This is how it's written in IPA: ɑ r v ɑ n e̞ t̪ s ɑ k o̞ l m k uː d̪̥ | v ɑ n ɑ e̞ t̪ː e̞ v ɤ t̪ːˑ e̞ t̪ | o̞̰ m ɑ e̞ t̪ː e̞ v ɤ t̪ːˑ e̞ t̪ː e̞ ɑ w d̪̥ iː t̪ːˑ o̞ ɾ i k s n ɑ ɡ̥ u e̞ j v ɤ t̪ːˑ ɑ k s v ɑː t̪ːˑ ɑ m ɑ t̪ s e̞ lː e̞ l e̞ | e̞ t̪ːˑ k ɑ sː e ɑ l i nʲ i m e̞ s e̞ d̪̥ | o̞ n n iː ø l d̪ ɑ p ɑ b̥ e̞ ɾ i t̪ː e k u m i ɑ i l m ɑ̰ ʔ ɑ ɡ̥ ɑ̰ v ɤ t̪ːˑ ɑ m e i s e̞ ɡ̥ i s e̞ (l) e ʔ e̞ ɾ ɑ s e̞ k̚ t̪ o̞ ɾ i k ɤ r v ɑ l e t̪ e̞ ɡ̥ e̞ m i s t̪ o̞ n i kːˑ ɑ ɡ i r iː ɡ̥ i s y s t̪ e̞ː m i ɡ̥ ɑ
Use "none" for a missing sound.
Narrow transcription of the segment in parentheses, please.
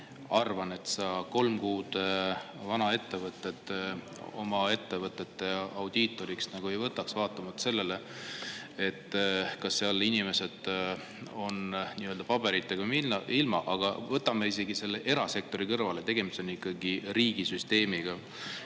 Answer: lː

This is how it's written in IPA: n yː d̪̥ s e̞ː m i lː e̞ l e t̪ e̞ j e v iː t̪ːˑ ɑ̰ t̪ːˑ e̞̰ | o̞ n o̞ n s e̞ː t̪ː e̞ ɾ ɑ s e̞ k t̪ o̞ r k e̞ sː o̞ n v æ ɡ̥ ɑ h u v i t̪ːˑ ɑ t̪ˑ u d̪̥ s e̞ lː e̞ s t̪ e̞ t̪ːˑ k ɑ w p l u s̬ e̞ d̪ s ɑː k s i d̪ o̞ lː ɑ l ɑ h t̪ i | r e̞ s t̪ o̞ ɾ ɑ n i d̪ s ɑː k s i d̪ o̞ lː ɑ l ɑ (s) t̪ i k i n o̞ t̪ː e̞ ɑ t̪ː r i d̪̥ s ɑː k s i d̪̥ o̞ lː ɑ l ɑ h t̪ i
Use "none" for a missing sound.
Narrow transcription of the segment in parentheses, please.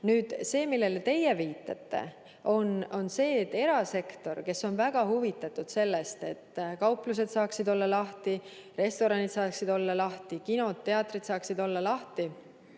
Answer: h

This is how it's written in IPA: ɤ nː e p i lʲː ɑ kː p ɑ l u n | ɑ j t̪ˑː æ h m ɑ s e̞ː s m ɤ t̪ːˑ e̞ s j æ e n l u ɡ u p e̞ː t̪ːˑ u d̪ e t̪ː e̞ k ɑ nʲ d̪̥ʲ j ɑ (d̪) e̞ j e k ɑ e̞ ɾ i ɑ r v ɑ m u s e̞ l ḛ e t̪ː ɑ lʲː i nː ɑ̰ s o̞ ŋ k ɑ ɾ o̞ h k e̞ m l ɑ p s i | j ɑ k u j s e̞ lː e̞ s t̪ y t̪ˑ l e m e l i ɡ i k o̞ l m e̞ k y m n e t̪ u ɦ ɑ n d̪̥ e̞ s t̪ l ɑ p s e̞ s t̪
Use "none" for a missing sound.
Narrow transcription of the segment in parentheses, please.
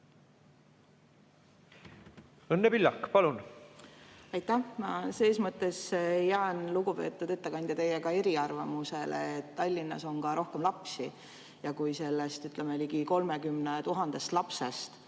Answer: t̪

